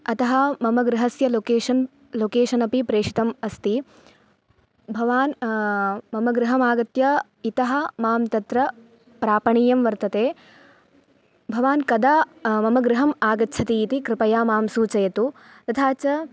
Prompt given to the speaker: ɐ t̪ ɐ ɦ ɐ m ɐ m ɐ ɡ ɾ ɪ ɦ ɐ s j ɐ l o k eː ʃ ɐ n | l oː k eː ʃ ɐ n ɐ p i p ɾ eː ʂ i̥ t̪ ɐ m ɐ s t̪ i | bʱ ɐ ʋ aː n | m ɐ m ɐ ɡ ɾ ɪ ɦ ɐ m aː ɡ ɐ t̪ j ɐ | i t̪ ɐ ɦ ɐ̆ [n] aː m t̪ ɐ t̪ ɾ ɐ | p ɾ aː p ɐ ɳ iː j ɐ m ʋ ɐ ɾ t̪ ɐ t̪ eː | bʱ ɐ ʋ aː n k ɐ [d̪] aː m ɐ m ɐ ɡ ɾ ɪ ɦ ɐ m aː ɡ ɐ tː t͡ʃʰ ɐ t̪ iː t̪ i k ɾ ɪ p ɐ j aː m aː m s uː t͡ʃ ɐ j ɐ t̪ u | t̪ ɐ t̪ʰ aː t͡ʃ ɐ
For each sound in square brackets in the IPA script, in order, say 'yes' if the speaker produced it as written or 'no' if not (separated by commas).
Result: no, yes